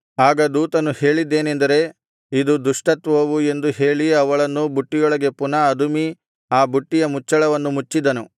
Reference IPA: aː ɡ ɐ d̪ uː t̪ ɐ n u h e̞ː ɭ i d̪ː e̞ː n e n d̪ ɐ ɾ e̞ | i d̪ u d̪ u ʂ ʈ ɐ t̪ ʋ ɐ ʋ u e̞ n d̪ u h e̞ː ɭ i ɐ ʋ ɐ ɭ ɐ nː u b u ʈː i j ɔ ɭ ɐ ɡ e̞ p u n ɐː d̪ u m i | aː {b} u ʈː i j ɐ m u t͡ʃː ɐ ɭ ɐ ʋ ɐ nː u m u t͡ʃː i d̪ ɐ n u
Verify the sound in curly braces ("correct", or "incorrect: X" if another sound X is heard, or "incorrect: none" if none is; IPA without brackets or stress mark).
correct